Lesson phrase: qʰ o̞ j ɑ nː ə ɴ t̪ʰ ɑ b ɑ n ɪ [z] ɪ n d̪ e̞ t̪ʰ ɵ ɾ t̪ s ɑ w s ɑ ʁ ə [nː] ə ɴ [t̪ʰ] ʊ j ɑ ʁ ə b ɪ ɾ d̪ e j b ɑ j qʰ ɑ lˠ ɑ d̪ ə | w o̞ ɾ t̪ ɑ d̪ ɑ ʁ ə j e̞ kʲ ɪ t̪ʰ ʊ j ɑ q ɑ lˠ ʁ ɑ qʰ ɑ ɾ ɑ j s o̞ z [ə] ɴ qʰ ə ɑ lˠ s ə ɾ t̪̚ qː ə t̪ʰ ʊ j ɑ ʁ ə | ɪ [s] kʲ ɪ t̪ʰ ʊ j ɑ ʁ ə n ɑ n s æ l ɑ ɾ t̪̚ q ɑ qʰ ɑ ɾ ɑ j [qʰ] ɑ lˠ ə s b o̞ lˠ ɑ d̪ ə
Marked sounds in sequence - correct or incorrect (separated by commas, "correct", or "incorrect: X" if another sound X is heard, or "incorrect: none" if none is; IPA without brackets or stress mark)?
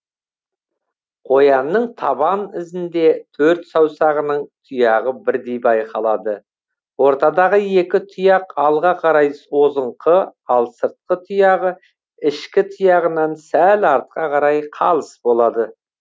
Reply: correct, incorrect: n, correct, correct, incorrect: ʃ, correct